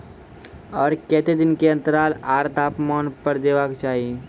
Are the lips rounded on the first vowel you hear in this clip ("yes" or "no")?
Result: yes